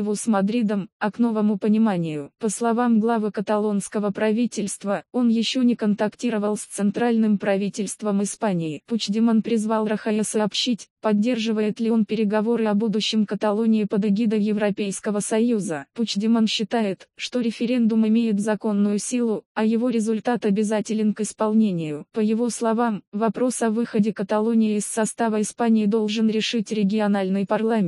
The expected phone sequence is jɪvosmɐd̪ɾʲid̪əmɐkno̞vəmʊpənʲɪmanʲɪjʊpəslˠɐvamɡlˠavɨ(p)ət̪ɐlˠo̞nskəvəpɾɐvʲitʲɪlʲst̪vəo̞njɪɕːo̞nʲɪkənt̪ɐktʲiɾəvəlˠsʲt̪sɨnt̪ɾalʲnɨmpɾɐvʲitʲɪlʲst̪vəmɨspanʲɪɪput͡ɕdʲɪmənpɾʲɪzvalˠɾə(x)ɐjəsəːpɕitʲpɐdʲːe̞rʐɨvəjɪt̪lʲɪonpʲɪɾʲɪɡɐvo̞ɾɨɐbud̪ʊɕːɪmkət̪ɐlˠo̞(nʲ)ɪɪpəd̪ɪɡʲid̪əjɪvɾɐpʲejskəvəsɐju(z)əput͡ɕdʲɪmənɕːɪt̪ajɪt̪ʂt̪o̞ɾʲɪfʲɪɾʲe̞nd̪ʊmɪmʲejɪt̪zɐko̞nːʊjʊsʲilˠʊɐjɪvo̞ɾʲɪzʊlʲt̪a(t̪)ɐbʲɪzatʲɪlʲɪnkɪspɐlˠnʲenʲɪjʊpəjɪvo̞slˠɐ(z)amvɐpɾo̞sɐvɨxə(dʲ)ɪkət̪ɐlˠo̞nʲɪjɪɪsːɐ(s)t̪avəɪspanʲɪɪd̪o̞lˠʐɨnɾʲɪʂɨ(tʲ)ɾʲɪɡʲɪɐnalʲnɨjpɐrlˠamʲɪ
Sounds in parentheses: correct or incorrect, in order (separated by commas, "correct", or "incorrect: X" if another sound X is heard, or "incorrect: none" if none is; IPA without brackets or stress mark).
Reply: incorrect: k, correct, correct, correct, correct, incorrect: v, correct, correct, correct